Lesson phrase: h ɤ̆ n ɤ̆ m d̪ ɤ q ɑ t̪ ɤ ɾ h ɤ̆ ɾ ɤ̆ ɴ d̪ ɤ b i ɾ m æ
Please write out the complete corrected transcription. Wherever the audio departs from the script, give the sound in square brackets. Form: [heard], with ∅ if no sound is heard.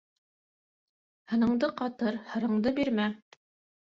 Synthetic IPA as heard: h ɤ̆ n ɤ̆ [ɴ] d̪ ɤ q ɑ t̪ ɤ ɾ h ɤ̆ ɾ ɤ̆ ɴ d̪ ɤ b i ɾ m æ